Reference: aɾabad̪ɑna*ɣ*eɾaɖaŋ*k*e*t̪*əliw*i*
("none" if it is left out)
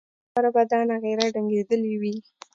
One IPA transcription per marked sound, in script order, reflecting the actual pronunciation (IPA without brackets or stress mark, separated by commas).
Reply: ɣ, ɡ, d̪, i